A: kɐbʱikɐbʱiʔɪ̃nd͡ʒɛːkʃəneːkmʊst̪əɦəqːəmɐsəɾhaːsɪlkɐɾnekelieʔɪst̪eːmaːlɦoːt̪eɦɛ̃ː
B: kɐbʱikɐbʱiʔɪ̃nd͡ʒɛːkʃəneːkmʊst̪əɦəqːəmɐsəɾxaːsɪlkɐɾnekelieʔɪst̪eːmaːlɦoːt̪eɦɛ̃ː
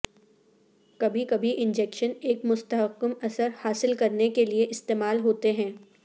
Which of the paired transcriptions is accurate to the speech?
A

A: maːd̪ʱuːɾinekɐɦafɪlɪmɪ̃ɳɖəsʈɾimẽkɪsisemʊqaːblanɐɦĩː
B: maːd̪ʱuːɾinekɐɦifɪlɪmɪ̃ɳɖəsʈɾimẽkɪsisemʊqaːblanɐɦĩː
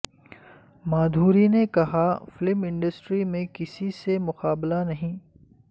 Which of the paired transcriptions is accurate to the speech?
A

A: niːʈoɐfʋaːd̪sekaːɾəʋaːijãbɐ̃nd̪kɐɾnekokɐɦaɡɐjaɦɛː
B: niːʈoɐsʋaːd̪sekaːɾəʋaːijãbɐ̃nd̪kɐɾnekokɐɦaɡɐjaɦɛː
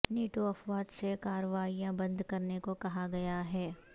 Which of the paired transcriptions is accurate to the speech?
A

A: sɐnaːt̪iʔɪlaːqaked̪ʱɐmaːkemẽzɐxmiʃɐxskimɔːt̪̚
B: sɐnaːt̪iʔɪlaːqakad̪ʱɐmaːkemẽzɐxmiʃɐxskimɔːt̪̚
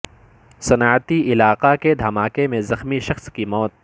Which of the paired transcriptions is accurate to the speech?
A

